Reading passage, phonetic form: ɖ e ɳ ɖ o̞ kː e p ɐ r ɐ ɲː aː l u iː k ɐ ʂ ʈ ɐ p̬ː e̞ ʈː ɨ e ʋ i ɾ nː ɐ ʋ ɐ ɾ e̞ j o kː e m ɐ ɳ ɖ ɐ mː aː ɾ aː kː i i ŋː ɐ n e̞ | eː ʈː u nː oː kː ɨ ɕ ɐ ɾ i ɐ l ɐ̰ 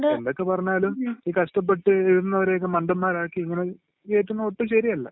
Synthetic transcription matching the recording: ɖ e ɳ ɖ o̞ kː e p ɐ r ɐ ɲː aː l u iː k ɐ ʂ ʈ ɐ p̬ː e̞ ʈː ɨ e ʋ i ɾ nː ɐ ʋ ɐ ɾ e̞ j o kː e m ɐ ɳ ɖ ɐ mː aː ɾ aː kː i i ŋː ɐ n e̞ | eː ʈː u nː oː ʈː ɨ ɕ ɐ ɾ i ɐ lː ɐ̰